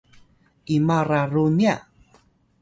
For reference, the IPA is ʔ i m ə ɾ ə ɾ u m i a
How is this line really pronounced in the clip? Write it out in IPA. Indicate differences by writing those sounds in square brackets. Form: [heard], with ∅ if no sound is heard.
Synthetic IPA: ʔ i m [a] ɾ [a] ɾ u [n] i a